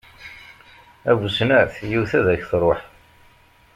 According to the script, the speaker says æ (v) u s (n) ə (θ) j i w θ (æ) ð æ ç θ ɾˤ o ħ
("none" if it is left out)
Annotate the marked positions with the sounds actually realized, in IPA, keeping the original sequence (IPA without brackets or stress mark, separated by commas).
v, n, θ, æ